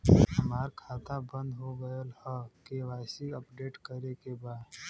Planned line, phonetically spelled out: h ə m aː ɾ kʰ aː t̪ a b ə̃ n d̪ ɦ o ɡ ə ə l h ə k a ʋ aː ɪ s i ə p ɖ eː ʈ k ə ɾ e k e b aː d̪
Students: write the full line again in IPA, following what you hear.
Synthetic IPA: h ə m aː ɾ kʰ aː t̪ a b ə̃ n d̪ ɦ o ɡ ə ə l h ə k e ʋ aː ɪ s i ə p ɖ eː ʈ k ə ɾ e k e b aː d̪